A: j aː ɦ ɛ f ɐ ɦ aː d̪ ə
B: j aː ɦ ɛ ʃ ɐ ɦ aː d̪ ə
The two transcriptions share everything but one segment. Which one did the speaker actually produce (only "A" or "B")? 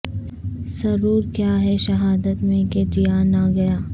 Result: B